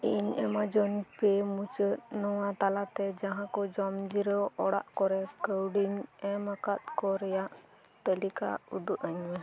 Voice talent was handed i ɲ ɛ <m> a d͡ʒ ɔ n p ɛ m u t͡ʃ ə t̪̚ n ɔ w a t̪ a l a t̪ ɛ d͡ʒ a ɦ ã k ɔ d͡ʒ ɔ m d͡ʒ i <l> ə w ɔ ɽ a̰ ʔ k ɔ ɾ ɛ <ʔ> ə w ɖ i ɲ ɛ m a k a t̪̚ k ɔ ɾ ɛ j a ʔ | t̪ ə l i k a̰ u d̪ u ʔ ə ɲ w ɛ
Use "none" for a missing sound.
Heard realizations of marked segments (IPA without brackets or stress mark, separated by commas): m, ɾ, k